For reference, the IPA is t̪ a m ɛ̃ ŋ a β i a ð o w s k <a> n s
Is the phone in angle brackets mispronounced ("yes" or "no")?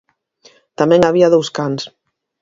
no